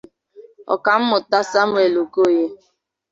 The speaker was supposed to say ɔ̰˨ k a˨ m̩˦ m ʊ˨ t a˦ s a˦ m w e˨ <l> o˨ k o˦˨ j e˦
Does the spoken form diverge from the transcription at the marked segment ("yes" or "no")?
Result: no